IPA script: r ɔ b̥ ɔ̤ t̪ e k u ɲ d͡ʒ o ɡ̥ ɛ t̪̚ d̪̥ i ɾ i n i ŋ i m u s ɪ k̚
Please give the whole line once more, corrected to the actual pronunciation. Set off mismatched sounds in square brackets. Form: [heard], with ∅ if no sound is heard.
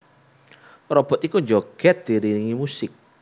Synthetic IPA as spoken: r ɔ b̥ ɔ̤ t̪ [i] k u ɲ d͡ʒ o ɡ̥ ɛ t̪̚ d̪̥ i ɾ i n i ŋ i m u s ɪ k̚